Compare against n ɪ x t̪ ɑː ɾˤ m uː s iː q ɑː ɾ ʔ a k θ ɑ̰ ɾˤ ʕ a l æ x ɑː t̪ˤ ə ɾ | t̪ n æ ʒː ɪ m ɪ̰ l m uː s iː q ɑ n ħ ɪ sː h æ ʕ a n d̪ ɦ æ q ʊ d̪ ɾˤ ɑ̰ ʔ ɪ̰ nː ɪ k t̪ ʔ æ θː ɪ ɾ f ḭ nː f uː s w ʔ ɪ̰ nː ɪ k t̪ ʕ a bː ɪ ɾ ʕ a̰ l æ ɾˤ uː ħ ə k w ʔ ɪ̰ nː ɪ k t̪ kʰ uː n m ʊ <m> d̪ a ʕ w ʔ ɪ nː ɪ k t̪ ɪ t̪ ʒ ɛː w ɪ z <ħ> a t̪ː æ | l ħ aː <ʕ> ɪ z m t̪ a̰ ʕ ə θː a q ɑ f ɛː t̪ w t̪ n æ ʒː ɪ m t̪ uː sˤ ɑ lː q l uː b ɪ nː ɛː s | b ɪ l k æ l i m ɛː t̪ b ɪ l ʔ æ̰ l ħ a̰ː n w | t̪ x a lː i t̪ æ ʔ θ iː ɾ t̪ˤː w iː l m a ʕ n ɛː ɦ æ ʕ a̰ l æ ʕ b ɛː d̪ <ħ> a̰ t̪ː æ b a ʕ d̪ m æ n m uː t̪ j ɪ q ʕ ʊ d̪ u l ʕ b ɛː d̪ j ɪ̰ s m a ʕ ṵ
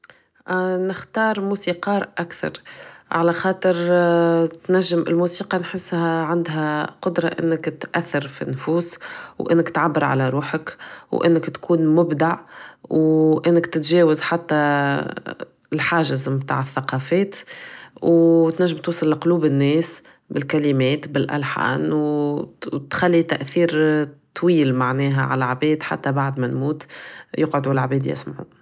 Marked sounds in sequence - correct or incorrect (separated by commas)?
incorrect, correct, incorrect, correct